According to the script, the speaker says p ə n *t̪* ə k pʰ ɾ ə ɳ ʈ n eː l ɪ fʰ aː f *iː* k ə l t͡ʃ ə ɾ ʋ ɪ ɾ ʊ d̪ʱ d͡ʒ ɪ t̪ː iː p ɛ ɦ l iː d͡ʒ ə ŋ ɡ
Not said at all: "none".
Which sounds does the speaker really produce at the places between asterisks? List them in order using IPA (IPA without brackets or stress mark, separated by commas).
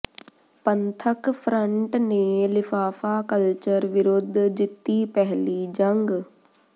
t̪ʰ, aː